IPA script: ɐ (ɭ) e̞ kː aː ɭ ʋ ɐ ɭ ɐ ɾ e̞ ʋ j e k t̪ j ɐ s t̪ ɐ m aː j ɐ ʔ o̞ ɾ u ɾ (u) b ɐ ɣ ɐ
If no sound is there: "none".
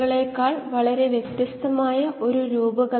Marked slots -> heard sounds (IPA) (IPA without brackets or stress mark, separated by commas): ɭ, uː